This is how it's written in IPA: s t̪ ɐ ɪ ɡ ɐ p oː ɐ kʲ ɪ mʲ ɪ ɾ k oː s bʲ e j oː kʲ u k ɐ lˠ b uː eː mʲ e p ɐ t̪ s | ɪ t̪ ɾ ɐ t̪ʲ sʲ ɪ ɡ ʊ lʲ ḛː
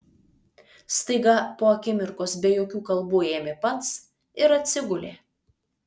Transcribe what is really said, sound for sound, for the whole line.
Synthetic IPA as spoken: s t̪ ɐ ɪ ɡ ɐ p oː ɐ kʲ ɪ mʲ ɪ ɾ k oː s bʲ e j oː kʲ uː k ɐ lˠ b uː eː mʲ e p ɐ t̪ s | ɪ ɾ ɐ t̪ʲ sʲ ɪ ɡ ʊ lʲ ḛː

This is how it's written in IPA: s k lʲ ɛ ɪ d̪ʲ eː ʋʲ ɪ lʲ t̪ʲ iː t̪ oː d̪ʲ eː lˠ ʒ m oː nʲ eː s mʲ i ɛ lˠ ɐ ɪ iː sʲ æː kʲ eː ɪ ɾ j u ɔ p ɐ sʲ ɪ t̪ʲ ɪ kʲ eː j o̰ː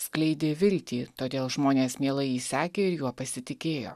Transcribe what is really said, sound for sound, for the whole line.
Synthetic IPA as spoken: s k lʲ ɛ ɪ d̪ʲ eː ʋʲ ɪ lʲ t̪ʲ iː t̪ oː d̪ʲ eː lˠ ʒ m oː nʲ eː s mʲ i ɛ lˠ ɐ ɪ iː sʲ æː kʲ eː ɪ ɾ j u ɔ p ɐ sʲ ɪ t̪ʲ ɪ kʲ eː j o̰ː

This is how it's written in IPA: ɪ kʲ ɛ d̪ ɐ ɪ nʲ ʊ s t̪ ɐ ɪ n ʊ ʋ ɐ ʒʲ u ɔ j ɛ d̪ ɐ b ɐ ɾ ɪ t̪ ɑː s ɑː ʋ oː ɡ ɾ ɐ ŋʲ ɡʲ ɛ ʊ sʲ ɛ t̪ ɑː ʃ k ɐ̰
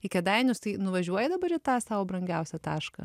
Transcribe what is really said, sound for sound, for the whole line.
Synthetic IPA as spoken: ɪ kʲ ɛ d̪ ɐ ɪ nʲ ʊ s t̪ ɐ ɪ n ʊ ʋ ɐ ʒʲ u ɔ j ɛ d̪ ɐ b ɐ ɾ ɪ t̪ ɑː s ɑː ʋ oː b ɾ ɐ ŋʲ ɡʲ ɛ ʊ sʲ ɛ t̪ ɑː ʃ k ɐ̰

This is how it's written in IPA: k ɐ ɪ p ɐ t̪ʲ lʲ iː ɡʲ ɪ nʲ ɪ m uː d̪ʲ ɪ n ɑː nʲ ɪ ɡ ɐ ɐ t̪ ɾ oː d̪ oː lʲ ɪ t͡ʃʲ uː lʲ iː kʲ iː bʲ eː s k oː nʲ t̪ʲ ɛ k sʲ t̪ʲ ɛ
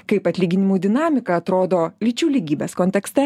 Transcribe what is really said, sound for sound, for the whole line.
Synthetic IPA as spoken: k ɐ ɪ p ɐ t̪ʲ lʲ iː ɡʲ ɪ nʲ ɪ m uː d̪ʲ ɪ n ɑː mʲ ɪ k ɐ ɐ t̪ ɾ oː d̪ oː lʲ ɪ t͡ʃʲ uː lʲ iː ɡʲ iː bʲ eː s k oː nʲ t̪ʲ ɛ k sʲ t̪ʲ ɛ

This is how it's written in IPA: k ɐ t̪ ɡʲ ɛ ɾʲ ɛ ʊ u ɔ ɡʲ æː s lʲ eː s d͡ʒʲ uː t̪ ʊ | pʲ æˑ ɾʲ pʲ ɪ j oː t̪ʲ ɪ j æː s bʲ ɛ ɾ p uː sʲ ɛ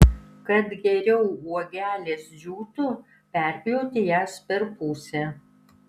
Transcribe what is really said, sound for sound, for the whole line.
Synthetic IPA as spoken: k ɐ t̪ ɡʲ ɛ ɾʲ ɛ ʊ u ɔ ɡʲ æː lʲ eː s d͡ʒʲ uː t̪ ʊ | pʲ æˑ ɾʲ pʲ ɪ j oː t̪ʲ ɪ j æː s pʲ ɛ ɾ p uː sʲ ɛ

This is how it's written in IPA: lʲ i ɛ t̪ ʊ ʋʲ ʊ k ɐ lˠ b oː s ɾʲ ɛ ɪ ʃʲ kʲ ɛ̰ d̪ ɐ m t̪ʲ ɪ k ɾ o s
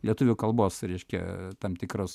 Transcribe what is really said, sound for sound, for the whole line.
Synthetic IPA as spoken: lʲ i ɛ t̪ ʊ ʋʲ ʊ k ɐ lˠ b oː s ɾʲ ɛ ɪ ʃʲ kʲ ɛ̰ t̪ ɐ m t̪ʲ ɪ k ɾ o s

